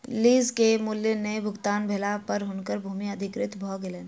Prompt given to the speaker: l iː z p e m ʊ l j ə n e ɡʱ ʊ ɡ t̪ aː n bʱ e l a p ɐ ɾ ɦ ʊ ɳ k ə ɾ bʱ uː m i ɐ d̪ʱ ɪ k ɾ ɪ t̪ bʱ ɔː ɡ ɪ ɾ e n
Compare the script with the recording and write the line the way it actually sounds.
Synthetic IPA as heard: l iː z k e m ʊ l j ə n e bʱ ʊ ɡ t̪ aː n bʱ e l a p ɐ ɾ ɦ ʊ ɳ k ə ɾ bʱ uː m i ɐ d̪ʱ ɪ k ɾ ɪ t̪ bʱ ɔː ɡ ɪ l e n